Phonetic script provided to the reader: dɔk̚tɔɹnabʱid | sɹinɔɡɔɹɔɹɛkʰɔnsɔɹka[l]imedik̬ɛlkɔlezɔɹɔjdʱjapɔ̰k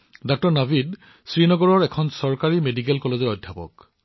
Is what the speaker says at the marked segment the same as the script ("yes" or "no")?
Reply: no